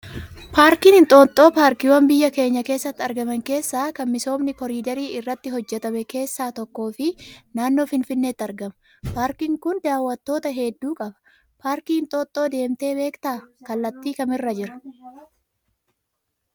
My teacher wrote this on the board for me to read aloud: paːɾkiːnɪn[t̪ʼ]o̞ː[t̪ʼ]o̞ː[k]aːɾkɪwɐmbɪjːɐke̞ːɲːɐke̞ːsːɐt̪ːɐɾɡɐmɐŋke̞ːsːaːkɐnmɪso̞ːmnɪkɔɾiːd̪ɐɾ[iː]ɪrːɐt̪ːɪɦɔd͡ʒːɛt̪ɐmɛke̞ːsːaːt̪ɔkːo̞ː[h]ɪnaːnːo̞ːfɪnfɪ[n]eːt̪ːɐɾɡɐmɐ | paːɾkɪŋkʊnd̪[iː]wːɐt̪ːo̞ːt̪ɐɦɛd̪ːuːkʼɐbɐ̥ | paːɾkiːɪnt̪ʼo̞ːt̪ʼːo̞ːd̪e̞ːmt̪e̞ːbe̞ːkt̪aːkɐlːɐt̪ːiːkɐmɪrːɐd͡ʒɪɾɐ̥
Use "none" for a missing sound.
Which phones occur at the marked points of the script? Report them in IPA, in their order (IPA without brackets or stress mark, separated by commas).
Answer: t̪ʼ, t̪ʼ, p, iː, f, nː, aː